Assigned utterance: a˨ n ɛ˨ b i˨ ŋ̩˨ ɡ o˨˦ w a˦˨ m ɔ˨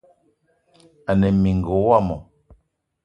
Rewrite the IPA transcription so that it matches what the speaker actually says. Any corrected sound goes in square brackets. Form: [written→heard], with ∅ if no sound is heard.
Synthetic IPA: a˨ n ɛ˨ [b→m] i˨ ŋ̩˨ ɡ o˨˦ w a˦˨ m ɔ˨